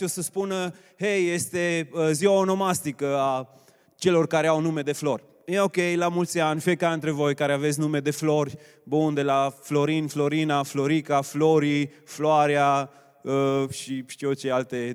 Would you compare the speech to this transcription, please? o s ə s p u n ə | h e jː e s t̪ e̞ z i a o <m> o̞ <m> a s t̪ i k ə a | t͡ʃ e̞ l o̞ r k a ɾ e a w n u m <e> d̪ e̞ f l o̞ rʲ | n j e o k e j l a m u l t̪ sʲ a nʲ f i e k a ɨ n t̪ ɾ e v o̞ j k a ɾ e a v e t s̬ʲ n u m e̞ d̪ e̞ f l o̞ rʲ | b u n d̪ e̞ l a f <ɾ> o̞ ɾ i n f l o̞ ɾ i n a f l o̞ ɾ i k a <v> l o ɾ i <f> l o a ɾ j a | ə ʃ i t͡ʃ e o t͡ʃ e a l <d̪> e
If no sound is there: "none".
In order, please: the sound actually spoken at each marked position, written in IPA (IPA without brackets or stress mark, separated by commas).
n, m, e, l, f, f, t̪